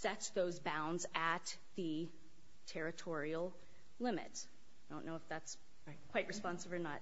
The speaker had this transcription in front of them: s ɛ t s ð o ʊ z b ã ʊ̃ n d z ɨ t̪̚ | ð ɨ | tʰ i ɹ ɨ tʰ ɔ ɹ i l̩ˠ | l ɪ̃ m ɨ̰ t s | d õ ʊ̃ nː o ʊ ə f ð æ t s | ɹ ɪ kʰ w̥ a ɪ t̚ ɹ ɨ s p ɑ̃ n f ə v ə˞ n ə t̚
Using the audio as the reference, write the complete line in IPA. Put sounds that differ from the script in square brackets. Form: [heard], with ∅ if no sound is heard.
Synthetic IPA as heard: s ɛ t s ð o ʊ z b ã ʊ̃ n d z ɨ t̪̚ | ð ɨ | tʰ [ɛ] ɹ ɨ tʰ ɔ ɹ i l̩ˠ | l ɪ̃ m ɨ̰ t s | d õ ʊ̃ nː o ʊ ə f ð æ t s | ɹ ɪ kʰ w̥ a ɪ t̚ ɹ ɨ s p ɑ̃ n [s] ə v ə˞ n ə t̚